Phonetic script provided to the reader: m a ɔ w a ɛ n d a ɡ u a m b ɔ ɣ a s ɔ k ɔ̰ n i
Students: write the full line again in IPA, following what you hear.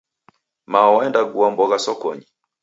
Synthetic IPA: m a ɔ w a ɛ n d a ɡ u a m b ɔ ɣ a s ɔ k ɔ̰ ɲ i